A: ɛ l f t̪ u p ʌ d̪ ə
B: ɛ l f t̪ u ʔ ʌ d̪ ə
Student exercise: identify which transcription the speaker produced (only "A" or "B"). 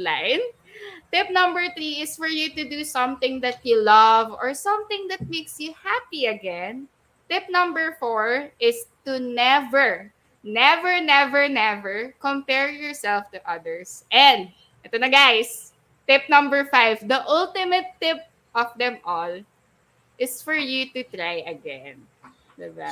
B